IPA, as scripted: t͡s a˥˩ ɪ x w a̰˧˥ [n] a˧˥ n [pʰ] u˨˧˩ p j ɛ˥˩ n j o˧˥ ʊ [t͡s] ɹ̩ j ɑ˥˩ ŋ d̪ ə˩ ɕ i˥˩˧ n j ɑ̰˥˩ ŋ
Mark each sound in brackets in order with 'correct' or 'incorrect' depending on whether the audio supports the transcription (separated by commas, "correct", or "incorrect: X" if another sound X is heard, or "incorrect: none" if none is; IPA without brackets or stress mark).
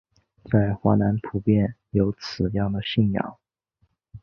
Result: correct, correct, incorrect: t͡sʰ